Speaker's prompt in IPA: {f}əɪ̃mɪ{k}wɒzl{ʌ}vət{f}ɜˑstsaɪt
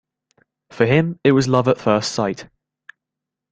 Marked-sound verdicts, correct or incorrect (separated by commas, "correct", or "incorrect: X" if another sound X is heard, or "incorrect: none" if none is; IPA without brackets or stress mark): correct, incorrect: ʔ, correct, correct